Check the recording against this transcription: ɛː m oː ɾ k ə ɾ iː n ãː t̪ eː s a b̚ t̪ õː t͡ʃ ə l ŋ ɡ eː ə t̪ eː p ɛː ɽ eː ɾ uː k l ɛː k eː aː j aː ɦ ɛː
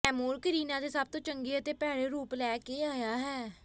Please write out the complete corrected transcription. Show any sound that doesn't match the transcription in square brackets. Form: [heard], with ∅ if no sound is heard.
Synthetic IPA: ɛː m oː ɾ k ə ɾ iː n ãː [d̪] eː s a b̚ t̪ õː t͡ʃ ə [∅] ŋ ɡ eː ə t̪ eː p ɛː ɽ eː ɾ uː [p] l ɛː k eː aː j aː ɦ ɛː